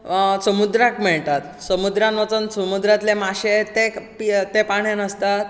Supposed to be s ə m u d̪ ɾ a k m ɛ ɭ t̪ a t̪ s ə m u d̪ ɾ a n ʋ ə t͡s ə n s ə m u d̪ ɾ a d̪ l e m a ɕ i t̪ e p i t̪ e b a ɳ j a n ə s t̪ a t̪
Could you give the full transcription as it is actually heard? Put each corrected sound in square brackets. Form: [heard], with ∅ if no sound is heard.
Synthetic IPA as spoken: s ə m u d̪ ɾ a k m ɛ ɭ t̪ a t̪ s ə m u d̪ ɾ a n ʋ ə t͡s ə n s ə m u d̪ ɾ a [t̪] l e m a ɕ [e] t̪ e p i t̪ e [p] a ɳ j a n ə s t̪ a t̪